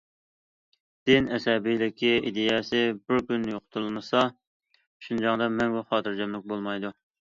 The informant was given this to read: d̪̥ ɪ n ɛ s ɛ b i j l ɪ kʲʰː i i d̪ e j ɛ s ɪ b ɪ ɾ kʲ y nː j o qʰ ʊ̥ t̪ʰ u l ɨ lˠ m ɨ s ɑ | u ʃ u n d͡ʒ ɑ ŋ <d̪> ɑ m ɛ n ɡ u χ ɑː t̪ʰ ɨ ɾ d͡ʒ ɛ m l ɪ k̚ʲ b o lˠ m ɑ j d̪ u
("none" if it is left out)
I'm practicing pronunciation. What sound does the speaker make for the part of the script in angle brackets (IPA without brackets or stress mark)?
d̪